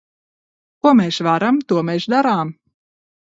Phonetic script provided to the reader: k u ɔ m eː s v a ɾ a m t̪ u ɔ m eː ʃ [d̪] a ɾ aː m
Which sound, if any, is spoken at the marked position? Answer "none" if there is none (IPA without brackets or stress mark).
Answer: d̪